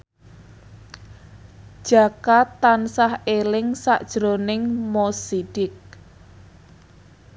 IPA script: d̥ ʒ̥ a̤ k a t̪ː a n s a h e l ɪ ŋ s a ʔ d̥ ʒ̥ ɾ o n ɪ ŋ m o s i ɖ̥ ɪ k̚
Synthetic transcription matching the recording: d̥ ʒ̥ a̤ k a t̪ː a n s a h e l ɪ ŋ s a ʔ d̥ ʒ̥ ɾ o n ɪ ŋ m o s i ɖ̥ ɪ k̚